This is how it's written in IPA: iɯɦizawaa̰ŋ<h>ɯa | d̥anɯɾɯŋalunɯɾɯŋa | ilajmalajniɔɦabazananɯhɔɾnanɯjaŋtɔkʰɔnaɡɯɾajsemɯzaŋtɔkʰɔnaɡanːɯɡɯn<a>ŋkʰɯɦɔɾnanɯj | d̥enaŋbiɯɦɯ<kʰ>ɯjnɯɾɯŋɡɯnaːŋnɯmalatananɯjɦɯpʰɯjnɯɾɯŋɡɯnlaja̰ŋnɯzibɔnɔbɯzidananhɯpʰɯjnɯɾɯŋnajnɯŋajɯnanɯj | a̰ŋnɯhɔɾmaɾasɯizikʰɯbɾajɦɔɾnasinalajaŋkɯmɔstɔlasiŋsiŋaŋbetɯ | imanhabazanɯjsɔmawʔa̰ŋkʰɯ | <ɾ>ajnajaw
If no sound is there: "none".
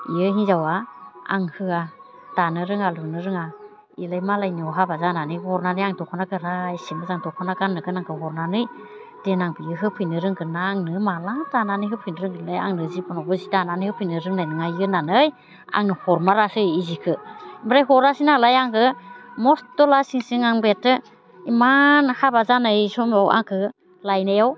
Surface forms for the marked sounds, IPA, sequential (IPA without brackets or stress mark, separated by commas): h, a, pʰ, l